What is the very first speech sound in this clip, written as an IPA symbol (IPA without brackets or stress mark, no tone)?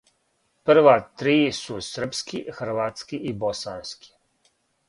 p